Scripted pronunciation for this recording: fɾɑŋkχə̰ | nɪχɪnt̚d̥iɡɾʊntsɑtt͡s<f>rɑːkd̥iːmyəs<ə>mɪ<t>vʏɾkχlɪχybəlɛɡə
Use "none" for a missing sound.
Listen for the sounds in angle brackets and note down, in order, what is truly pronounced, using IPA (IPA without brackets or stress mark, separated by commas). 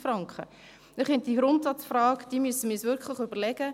f, ə, s